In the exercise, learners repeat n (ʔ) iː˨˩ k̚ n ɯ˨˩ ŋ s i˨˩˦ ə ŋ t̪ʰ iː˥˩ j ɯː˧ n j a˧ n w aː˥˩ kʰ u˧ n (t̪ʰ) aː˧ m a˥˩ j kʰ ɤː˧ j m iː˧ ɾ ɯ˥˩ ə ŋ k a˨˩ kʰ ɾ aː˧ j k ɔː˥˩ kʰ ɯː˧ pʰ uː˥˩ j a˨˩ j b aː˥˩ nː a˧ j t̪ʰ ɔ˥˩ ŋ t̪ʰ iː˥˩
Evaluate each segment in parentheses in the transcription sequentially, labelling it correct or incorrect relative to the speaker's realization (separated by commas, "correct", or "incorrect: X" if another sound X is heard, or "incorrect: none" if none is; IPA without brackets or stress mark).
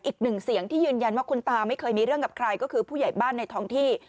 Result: correct, incorrect: t̪